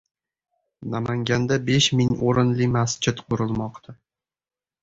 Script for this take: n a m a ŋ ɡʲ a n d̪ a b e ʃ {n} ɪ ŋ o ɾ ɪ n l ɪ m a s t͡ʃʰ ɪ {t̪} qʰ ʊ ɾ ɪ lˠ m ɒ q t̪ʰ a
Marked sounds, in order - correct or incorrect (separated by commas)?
incorrect, correct